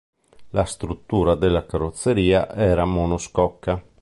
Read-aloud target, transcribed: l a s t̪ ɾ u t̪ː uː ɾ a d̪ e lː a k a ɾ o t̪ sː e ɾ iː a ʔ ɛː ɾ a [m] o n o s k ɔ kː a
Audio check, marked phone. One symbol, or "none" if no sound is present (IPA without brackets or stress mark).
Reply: m